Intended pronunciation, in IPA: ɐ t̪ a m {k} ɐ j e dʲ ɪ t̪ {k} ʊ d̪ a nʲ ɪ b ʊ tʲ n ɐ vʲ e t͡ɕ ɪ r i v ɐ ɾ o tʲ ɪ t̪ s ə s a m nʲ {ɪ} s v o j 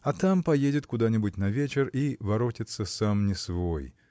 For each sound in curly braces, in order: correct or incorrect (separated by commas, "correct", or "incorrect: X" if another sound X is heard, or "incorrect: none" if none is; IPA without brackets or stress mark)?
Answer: incorrect: p, correct, correct